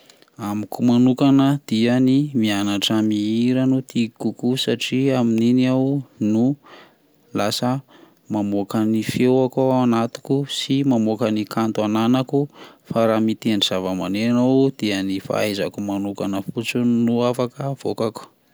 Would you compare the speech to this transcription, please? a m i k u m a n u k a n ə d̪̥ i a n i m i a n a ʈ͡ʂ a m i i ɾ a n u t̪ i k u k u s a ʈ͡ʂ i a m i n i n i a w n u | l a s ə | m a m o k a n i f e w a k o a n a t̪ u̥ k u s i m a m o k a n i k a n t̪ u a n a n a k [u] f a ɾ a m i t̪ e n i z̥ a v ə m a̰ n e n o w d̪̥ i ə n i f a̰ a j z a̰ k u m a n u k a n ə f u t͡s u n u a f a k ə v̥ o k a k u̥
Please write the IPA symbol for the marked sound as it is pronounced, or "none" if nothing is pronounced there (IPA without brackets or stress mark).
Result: u